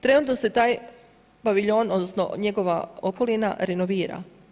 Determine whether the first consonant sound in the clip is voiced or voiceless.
voiceless